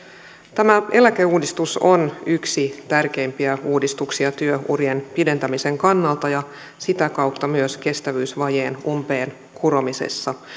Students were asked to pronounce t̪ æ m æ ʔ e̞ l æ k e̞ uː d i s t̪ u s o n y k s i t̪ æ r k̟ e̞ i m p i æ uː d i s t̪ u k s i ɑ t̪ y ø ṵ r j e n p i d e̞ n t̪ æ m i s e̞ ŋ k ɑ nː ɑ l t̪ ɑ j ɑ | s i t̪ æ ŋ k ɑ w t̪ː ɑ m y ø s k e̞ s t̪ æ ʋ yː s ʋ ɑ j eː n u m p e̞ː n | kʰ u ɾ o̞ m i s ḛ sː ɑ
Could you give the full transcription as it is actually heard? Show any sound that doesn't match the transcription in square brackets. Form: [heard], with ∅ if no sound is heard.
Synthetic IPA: t̪ æ m æ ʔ e̞ l æ k e̞ uː d i s t̪ u s o n y k s i t̪ æ r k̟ e̞ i m p i æ uː d i s t̪ u k s i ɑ t̪ y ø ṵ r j e n p i d e̞ n t̪ æ m i s e̞ ŋ k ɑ nː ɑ l t̪ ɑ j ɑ | s i t̪ æ [∅] k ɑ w t̪ː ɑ m y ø s k e̞ s t̪ æ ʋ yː s ʋ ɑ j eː n u m p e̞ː n | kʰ u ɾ o̞ m i s ḛ sː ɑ